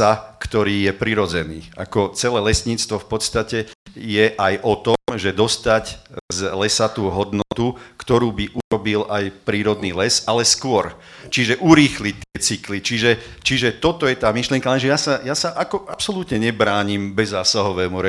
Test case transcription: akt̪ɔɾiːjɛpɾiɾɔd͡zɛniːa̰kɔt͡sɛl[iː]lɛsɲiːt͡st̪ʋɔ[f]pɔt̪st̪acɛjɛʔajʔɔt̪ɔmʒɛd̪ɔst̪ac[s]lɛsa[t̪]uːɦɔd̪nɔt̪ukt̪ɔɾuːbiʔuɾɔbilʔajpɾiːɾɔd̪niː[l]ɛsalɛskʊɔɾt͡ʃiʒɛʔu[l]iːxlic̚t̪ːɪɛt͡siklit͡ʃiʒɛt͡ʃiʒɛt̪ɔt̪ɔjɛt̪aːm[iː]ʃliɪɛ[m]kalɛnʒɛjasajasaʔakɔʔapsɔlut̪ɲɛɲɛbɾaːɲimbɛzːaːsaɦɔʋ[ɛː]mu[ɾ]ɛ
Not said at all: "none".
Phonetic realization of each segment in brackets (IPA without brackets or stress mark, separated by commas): ɛː, f, z, t̪, l, ɾ, i, ŋ, ɛː, ɾ